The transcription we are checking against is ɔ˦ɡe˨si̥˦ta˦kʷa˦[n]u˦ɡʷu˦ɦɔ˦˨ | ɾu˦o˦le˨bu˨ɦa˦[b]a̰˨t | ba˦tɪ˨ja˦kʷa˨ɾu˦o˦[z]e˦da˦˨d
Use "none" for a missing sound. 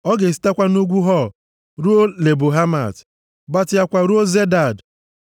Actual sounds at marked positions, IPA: n, m, z

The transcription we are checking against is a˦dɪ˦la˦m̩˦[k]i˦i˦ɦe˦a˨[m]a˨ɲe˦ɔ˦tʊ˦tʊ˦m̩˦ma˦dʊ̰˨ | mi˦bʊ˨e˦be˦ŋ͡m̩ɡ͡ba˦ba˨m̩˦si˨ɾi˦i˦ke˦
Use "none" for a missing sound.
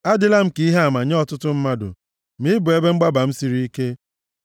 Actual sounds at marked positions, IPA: k, m

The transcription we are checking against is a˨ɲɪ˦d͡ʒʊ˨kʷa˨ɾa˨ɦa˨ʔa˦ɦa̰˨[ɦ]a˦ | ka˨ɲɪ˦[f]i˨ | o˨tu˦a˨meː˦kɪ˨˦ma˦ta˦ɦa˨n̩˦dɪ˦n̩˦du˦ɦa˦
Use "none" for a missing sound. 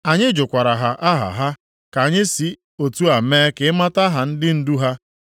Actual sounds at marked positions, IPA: ɦ, s

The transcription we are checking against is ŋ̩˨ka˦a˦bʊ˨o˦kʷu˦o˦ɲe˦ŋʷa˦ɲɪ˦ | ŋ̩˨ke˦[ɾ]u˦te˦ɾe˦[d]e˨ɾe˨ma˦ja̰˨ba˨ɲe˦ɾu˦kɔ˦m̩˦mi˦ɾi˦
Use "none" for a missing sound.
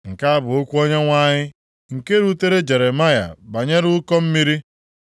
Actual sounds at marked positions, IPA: ɾ, d͡ʒ

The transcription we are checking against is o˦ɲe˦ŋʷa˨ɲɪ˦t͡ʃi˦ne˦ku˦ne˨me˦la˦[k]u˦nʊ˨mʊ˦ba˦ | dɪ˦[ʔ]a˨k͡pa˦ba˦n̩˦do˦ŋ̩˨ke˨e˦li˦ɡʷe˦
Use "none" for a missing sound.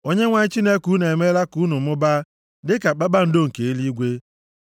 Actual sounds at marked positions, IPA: k, k

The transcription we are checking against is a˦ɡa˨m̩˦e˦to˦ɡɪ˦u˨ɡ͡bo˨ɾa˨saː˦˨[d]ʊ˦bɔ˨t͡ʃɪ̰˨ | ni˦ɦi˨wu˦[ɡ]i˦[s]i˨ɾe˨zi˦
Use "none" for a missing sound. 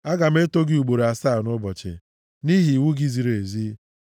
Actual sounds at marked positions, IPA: n, ɡ, z

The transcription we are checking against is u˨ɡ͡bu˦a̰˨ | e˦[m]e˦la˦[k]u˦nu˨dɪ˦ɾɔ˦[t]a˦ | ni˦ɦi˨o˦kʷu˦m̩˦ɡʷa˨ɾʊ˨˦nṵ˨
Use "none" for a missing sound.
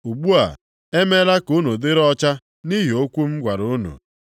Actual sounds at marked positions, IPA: m, k, t͡ʃ

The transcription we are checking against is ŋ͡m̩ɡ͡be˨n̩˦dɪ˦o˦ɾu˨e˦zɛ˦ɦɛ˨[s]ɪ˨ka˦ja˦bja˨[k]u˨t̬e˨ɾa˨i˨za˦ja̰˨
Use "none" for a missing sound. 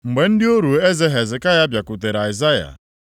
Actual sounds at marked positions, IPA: z, k

